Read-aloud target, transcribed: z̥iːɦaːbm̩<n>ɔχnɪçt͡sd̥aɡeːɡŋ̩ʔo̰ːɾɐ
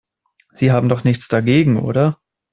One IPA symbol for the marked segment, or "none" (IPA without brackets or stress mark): d